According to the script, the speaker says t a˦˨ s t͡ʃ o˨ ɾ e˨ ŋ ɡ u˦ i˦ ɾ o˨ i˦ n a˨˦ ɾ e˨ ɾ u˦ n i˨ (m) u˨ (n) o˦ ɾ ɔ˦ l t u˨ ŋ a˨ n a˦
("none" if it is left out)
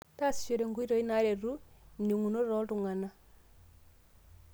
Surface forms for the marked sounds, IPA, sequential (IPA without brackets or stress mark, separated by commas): ŋ, n